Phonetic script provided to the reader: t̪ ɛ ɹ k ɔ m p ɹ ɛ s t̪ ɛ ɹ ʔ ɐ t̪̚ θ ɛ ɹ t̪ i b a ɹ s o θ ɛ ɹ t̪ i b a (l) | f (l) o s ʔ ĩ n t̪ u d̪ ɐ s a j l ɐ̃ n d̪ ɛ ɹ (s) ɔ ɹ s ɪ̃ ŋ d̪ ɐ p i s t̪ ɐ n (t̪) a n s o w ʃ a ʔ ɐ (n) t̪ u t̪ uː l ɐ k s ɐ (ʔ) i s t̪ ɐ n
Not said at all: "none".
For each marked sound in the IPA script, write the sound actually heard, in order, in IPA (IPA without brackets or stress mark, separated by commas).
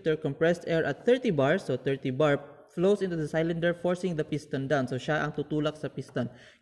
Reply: ɹ, l, f, d̪, ŋ, p